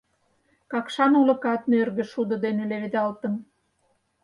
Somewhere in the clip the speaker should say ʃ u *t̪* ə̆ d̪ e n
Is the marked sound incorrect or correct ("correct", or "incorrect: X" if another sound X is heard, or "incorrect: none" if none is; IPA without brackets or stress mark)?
incorrect: d̪